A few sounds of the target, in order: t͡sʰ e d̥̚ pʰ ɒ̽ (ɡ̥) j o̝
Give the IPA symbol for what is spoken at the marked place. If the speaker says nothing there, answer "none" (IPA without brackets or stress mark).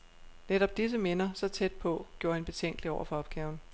ɡ̥